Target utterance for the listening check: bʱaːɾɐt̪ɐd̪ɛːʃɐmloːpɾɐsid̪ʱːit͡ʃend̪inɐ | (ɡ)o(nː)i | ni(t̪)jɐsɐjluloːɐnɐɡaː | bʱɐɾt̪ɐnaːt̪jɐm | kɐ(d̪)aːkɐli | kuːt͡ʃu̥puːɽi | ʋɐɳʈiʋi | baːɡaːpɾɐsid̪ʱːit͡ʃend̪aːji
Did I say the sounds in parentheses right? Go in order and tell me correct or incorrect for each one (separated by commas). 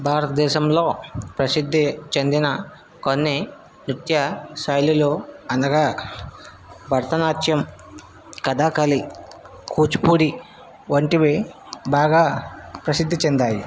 incorrect, correct, correct, correct